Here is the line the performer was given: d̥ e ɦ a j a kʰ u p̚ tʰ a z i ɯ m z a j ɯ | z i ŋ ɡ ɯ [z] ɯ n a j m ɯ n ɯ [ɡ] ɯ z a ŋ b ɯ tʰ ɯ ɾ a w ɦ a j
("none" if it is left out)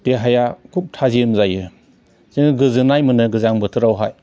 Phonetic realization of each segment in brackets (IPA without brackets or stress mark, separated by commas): z, ɡ